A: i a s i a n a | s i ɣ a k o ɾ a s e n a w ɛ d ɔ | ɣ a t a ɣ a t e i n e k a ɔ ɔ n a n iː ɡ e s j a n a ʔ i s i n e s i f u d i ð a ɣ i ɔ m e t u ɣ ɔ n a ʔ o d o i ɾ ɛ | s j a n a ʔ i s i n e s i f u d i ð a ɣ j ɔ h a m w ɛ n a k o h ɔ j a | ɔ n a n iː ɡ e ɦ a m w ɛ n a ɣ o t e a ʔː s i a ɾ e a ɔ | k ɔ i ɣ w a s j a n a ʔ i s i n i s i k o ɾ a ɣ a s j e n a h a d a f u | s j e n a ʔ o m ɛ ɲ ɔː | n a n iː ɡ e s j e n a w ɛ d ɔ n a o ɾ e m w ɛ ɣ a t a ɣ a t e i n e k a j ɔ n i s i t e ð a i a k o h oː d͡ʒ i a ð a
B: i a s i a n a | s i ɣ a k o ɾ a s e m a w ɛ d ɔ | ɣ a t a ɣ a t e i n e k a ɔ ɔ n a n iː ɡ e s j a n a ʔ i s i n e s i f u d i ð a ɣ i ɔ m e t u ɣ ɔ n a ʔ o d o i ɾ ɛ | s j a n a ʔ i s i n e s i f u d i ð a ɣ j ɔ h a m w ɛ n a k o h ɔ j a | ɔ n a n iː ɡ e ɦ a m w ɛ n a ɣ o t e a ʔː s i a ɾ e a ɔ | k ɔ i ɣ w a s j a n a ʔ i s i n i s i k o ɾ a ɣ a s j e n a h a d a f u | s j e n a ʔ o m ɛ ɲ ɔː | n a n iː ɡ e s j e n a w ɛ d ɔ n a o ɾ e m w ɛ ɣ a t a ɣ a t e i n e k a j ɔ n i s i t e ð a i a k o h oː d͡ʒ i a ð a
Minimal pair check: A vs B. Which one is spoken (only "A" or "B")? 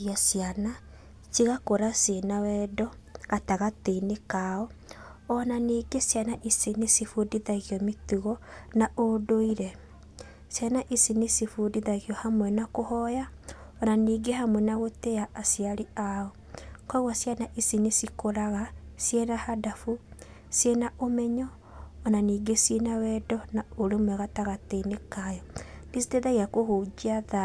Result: A